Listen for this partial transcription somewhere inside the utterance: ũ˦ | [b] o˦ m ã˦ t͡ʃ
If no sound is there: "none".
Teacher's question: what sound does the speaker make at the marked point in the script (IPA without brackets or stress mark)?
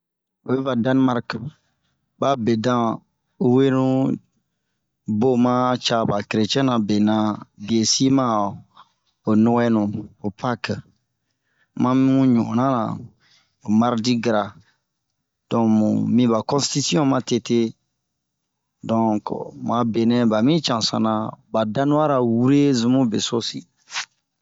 b